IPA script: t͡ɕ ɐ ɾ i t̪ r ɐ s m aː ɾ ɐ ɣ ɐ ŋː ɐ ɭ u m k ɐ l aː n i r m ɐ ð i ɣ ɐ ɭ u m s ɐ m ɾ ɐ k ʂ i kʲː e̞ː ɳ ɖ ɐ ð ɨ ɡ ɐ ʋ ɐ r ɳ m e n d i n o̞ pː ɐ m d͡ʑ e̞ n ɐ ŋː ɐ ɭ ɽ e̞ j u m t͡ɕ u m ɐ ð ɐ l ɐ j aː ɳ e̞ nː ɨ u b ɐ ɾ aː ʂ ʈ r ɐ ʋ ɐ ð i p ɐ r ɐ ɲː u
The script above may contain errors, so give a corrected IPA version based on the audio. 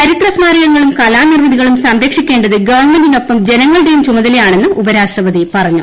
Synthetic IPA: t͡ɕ ɐ ɾ i t̪ r ɐ s m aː ɾ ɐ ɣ ɐ ŋː ɐ ɭ u m k ɐ l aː n i r m ɐ ð i ɣ ɐ ɭ u m s ɐ m ɾ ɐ k ʂ i kʲː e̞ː ɳ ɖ ɐ ð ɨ ɡ ɐ ʋ ɐ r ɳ m e n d i n o̞ pː ɐ m d͡ʑ e̞ n ɐ ŋː ɐ ɭ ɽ e̞ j u m t͡ɕ u m ɐ ð ɐ l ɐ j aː ɳ e̞ nː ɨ u b ɐ ɾ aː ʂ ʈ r ɐ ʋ ɐ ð i p ɐ r ɐ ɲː u